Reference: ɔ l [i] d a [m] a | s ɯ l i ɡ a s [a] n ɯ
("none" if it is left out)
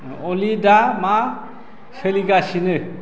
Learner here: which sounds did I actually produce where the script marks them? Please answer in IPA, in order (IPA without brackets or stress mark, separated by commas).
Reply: i, m, i